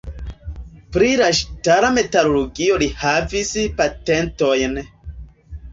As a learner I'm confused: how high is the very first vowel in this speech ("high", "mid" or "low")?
high